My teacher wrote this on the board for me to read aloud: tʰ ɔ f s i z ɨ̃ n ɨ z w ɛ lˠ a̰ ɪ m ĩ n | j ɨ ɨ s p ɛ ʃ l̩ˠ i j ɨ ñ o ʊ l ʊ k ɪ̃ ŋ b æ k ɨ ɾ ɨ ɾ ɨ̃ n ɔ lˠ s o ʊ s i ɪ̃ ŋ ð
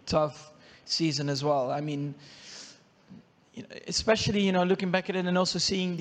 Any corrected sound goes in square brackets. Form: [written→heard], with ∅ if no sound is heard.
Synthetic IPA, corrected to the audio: tʰ [ɔ→ʌ] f s i z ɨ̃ n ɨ z w ɛ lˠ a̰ ɪ m ĩ n | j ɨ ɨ s p ɛ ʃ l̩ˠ i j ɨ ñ o ʊ l ʊ k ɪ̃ ŋ b æ k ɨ ɾ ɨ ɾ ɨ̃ n ɔ lˠ s o ʊ s i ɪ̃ ŋ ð